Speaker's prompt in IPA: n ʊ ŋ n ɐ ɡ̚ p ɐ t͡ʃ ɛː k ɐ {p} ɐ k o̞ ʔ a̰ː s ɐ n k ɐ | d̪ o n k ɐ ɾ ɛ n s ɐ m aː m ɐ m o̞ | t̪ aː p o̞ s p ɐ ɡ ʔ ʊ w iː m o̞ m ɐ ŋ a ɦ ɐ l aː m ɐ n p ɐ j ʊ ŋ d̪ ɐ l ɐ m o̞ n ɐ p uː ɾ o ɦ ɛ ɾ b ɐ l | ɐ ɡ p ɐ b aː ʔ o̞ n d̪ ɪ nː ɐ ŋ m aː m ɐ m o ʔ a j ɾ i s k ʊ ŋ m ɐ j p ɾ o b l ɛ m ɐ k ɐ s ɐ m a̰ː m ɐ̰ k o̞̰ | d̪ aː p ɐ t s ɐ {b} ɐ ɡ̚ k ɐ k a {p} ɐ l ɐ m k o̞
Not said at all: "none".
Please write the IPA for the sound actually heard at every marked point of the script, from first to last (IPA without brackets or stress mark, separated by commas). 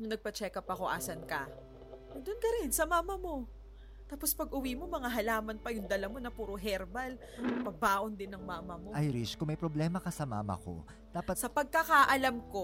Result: p, p, ʔ